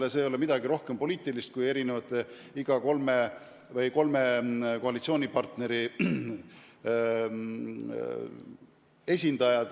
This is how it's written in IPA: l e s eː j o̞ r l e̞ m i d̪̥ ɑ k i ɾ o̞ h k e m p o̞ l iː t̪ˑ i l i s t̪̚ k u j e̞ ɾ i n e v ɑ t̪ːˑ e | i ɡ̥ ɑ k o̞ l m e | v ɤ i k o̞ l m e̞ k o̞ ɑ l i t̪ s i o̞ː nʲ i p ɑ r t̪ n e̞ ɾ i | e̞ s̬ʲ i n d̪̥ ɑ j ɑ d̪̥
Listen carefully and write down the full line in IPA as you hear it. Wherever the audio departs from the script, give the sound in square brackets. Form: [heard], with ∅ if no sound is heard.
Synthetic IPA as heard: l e s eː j o̞ [∅] l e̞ m i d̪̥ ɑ [ɡ] i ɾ o̞ h k e m p o̞ l iː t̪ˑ i l i s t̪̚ k u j e̞ ɾ i n e v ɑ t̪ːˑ e | i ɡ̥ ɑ k o̞ l m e | v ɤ [j] k o̞ l m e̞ k o̞ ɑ l i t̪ s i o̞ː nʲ i p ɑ r t̪ n e̞ ɾ i | e̞ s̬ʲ i n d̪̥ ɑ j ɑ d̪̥